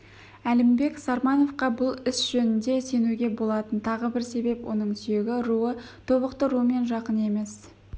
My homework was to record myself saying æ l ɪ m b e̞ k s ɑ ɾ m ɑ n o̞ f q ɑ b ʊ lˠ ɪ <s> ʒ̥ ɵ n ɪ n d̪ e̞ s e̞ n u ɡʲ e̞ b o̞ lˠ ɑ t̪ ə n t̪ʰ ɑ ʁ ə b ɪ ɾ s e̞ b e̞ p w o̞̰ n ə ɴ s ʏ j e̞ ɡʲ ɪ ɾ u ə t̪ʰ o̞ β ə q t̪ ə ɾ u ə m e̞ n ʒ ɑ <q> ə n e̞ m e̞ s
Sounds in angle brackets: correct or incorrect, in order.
correct, correct

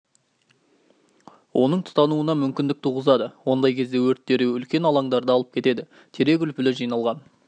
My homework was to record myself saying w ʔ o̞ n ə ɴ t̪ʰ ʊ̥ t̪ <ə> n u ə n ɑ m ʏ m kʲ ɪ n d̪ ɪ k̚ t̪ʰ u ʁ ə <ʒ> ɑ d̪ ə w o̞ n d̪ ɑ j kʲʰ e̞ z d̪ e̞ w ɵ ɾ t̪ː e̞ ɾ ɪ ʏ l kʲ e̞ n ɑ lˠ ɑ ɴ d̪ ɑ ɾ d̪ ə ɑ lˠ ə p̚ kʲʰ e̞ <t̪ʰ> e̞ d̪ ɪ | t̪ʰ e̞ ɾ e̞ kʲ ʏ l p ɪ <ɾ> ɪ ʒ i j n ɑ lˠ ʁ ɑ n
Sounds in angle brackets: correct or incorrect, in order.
incorrect: ɑ, incorrect: z, incorrect: t̪, incorrect: l

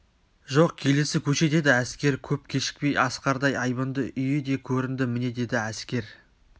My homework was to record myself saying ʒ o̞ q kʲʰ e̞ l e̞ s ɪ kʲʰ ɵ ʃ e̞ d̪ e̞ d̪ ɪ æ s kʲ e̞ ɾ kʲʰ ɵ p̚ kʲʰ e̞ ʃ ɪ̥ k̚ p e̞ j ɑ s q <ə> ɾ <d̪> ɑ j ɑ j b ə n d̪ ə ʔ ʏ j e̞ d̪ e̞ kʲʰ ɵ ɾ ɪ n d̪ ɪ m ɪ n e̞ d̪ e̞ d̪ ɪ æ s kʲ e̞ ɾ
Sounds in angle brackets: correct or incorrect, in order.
incorrect: ɑ, correct

